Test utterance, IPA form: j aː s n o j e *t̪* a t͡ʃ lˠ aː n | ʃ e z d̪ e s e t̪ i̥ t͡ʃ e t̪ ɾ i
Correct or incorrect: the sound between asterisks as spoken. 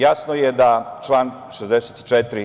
incorrect: d̪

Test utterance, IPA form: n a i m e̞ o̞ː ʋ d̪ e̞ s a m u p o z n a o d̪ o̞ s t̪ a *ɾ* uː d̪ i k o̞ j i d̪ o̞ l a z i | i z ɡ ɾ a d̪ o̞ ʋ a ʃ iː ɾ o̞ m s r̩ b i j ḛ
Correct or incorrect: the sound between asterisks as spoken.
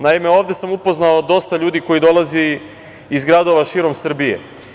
incorrect: ʎ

